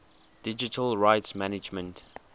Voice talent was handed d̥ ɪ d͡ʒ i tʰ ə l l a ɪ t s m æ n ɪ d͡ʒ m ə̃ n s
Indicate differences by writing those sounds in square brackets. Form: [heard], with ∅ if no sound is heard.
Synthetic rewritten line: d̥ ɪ d͡ʒ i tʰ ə l [ɹ] a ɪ t s m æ n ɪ d͡ʒ m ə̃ n [t]